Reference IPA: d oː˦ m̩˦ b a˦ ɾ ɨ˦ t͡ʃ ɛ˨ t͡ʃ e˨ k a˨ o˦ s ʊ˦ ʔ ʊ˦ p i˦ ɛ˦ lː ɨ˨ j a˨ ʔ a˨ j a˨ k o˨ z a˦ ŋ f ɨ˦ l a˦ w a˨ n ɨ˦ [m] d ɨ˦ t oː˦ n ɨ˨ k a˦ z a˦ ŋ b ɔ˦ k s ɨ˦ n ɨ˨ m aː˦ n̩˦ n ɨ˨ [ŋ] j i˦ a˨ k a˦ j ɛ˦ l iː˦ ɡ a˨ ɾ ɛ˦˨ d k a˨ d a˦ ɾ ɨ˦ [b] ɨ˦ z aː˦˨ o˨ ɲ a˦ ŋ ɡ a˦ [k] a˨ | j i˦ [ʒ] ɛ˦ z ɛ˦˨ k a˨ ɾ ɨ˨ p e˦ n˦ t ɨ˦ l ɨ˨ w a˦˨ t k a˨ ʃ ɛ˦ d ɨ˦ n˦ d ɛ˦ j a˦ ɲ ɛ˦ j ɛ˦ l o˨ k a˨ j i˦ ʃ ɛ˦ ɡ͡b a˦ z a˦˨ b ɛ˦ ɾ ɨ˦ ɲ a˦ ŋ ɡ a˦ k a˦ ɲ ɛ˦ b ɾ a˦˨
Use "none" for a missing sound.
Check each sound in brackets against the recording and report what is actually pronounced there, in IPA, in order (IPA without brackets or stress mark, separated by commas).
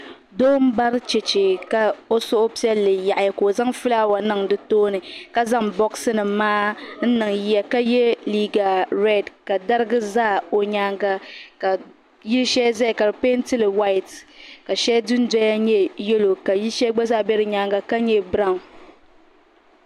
ŋ, ŋ, ɡ, k, ʃ